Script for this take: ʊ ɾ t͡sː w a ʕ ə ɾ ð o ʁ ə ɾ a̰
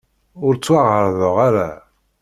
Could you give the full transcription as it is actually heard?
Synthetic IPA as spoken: ʊ ɾ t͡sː w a ʁ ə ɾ ð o ʁ a ɾ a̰